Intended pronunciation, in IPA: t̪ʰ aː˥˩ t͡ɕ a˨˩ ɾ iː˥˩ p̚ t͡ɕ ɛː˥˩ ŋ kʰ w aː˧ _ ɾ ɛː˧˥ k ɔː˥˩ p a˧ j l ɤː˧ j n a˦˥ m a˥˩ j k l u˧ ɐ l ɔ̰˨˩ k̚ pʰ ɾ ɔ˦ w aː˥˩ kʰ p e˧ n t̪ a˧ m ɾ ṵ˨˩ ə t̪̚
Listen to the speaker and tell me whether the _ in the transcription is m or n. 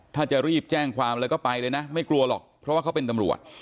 m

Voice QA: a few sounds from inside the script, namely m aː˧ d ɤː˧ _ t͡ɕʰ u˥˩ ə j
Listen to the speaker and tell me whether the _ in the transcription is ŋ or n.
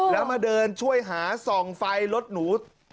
n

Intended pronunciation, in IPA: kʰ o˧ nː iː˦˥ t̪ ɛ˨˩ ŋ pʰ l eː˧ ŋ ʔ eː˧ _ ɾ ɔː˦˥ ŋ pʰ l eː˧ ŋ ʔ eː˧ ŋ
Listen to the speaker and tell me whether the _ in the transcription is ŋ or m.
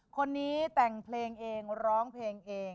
ŋ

